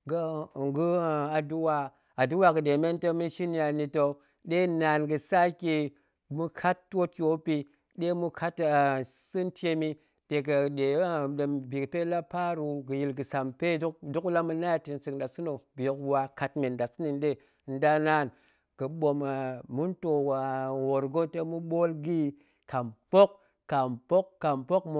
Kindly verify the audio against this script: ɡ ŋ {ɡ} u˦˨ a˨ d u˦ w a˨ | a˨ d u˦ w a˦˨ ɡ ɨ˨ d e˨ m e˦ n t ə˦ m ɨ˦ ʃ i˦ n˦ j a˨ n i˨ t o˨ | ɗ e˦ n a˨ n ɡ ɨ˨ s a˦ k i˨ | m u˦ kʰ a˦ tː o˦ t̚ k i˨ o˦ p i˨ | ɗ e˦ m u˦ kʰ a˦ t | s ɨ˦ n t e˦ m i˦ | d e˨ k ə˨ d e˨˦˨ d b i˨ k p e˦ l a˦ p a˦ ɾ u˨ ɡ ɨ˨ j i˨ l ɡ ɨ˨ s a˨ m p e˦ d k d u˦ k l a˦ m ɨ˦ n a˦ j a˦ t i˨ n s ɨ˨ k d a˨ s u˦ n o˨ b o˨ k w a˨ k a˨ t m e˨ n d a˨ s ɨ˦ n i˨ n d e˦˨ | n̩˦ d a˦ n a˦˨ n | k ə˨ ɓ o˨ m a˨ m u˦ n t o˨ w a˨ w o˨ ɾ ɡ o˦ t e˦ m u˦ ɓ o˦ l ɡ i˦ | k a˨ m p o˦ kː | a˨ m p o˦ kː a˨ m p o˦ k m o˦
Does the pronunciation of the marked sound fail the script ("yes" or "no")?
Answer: no